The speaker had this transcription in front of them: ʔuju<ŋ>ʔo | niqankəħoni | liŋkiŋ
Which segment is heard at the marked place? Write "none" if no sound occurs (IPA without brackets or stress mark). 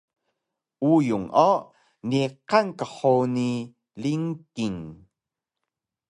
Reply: ŋ